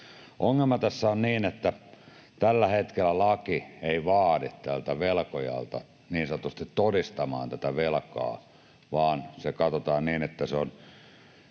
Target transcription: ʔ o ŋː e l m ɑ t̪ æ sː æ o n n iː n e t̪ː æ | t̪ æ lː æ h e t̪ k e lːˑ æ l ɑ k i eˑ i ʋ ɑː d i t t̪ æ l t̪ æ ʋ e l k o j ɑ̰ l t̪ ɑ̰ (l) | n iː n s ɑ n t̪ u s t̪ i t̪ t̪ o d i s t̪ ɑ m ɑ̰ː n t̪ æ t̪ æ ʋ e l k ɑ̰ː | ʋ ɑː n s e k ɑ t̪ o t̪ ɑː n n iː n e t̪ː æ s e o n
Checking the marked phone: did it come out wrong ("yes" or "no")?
yes